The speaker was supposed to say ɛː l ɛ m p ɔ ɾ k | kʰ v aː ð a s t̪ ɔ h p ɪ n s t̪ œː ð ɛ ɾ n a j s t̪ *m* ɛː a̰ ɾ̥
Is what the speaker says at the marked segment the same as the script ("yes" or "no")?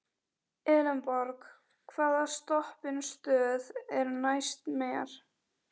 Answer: yes